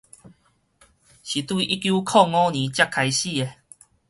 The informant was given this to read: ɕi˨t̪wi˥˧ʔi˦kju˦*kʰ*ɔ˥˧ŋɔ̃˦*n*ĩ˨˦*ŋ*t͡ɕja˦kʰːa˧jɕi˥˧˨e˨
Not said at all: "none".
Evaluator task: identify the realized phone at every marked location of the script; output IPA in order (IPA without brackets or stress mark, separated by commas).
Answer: kʰ, n, none